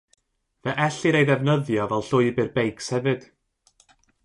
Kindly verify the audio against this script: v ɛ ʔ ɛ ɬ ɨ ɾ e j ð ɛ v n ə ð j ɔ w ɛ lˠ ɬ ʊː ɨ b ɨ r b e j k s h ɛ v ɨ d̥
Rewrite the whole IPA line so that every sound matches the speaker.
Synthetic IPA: v ɛ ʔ ɛ ɬ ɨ ɾ e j ð ɛ v n ə ð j ɔ v ɛ lˠ ɬ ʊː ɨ b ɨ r b e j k s h ɛ v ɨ d̥

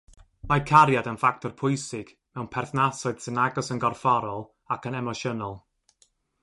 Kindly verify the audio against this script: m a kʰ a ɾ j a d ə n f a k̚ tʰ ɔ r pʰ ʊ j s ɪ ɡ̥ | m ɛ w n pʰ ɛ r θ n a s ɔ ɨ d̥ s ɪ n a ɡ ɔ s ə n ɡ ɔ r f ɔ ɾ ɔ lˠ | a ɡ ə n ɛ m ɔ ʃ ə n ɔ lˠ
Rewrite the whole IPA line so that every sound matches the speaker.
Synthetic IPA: m a kʰ a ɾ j a d ə n f a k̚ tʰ ɔ r pʰ ʊ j s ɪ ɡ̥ | m ɛ w n pʰ ɛ r θ n a s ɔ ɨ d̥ s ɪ n a ɡ ɔ s ə n ɡ ɔ r f ɔ ɾ ɔ lˠ | a k ə n ɛ m ɔ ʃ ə n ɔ lˠ

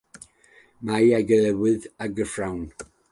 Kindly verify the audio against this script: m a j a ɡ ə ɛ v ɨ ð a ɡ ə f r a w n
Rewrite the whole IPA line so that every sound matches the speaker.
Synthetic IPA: m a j a ɡ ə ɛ w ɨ ð a ɡ ə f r a w n

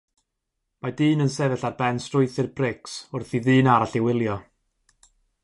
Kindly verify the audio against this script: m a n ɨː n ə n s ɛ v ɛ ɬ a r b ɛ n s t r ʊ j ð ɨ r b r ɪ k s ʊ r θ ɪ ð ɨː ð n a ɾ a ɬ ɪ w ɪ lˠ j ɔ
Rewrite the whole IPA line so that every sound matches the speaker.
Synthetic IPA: m a d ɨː n ə n s ɛ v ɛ ɬ a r b ɛ n s t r ʊ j θ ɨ r b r ɪ k s ʊ r θ i ð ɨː n a ɾ a ɬ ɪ w ɪ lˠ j ɔ

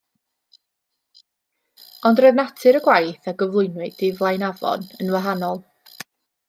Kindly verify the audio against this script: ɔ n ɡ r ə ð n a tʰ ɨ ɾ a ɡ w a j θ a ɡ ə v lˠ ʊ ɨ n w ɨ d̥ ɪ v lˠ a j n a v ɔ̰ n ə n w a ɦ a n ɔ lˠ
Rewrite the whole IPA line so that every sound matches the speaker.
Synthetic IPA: ɔ n d r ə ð n a tʰ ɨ ɾ ə ɡ w a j θ a ɡ ə v lˠ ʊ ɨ n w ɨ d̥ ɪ v lˠ a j n a v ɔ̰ n ə n w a ɦ a n ɔ lˠ

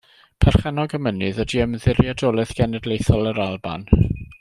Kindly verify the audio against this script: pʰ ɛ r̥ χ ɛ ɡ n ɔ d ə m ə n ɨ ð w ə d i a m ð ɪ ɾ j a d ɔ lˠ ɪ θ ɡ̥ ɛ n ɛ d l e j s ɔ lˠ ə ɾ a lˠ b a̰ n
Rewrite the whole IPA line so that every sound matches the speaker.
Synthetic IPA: pʰ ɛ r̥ χ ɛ n ɔ ɡ ə m ə n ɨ ð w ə d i ə m ð ɪ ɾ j a d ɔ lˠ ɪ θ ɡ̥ ɛ n ɛ d l e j θ ɔ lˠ ə ɾ a lˠ b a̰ n

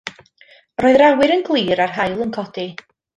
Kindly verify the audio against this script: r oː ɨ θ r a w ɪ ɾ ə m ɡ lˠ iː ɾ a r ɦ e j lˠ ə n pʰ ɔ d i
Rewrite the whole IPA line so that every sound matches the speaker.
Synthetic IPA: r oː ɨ ð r a w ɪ ɾ ə n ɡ lˠ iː ɾ a r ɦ a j lˠ ə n kʰ ɔ d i

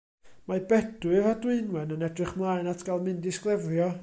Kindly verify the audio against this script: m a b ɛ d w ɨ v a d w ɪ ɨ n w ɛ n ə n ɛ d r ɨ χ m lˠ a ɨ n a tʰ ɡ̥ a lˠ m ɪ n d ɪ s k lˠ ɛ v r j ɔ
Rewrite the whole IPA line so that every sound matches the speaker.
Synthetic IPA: m a b ɛ d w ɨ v a d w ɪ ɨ n w ɛ n ə n ɛ d r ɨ χ m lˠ a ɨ n a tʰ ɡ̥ a lˠ m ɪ n d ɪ s k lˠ ɛ v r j ɔ

